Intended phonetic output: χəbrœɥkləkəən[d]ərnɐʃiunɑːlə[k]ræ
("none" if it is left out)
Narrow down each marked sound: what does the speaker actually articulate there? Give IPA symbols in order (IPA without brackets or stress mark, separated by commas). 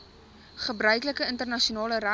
t, none